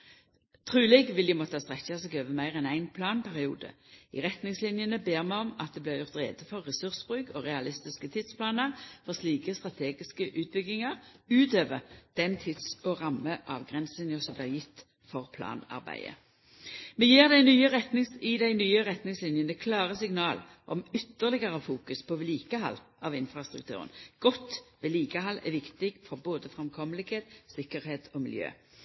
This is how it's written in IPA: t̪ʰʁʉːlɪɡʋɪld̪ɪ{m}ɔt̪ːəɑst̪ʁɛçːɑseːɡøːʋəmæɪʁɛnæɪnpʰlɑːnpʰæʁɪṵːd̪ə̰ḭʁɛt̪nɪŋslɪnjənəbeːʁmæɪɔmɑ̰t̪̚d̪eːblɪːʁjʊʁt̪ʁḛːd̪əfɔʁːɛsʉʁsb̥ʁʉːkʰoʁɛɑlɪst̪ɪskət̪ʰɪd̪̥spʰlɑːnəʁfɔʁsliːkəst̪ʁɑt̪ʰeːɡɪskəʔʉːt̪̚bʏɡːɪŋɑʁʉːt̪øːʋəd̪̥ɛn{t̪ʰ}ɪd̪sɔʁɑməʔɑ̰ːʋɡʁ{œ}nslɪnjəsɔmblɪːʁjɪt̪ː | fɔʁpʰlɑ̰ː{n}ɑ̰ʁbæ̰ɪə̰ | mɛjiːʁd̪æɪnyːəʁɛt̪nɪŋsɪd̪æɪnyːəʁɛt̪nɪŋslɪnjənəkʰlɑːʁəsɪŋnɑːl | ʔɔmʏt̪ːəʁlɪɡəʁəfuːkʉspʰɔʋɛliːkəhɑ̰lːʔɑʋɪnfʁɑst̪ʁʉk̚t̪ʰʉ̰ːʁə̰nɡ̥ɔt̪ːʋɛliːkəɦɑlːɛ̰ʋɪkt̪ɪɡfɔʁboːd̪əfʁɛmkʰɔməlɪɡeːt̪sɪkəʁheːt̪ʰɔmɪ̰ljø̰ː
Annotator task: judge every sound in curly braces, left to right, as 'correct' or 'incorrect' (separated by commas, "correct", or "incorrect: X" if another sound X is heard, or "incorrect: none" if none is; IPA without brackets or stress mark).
correct, correct, incorrect: ɛ, correct